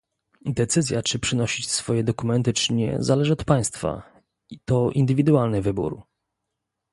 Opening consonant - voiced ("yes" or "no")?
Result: yes